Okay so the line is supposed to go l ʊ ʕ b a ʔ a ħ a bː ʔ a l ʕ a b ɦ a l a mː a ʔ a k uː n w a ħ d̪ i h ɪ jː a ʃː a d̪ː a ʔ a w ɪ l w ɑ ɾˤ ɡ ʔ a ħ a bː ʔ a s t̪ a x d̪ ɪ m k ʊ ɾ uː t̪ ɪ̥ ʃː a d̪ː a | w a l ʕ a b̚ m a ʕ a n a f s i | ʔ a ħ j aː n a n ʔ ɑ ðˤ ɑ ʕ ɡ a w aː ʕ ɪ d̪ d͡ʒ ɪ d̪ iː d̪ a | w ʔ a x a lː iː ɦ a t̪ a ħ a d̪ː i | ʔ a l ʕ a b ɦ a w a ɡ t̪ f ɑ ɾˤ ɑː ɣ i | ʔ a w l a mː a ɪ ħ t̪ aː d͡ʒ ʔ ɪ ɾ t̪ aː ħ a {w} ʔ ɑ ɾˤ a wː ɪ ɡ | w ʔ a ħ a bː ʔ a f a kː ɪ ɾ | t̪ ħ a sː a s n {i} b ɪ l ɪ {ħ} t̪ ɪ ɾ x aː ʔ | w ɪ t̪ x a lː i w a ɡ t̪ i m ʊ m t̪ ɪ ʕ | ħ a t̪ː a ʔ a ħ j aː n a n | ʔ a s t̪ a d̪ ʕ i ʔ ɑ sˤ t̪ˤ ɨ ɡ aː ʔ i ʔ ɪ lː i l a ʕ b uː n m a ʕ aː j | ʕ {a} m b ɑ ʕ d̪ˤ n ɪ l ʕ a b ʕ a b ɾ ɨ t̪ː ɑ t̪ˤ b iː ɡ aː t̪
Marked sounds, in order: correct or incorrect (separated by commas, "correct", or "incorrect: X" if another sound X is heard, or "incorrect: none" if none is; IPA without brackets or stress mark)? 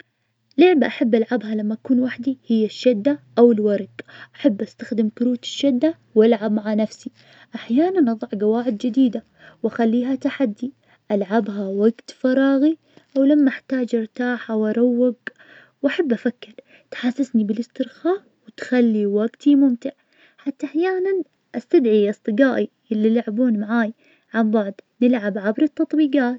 correct, correct, incorrect: s, correct